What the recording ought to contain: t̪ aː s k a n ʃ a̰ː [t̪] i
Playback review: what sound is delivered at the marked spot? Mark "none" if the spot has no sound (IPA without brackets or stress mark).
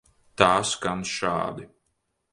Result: d̪